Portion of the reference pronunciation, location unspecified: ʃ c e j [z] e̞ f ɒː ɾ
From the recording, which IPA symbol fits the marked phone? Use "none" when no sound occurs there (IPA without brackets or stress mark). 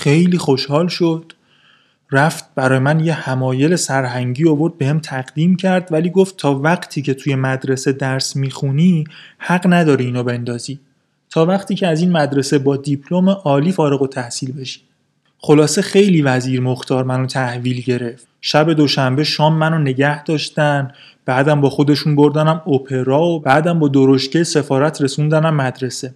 s